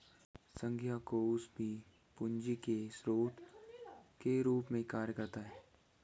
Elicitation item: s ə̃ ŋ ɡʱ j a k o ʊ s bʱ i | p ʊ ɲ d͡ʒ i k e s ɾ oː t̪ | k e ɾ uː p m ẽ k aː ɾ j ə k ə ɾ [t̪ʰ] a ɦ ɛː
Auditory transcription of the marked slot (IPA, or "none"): t̪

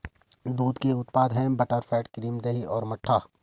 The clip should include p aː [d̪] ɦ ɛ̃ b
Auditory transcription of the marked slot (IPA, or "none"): d̪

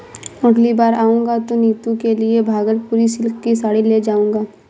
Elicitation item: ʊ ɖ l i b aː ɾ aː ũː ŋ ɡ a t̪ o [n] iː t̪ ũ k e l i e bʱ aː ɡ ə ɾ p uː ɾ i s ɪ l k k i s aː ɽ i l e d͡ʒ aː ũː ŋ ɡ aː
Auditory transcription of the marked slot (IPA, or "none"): n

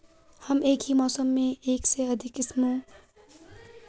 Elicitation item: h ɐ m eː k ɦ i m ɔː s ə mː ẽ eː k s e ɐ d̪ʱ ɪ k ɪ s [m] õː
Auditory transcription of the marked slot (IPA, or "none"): m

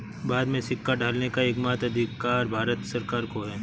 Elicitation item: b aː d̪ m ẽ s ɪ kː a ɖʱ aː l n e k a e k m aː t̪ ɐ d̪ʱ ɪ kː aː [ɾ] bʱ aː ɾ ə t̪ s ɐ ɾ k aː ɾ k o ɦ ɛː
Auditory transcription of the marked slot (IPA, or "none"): ɾ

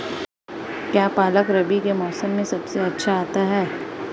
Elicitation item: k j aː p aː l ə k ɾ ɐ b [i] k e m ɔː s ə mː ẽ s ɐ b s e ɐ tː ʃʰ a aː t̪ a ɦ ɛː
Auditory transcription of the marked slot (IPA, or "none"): i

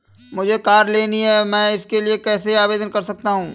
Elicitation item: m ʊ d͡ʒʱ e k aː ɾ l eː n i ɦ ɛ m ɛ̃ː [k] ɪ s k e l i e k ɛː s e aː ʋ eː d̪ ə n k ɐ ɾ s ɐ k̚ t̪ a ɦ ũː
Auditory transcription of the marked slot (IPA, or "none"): none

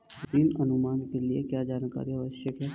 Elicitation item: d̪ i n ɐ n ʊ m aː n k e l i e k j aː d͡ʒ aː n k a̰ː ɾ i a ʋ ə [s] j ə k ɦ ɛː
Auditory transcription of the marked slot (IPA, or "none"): ʃ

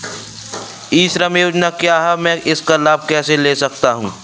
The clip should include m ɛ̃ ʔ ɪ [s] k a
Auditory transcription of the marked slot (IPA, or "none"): s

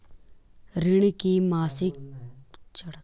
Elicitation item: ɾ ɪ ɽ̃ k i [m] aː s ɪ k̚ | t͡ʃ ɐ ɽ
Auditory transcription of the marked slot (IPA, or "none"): m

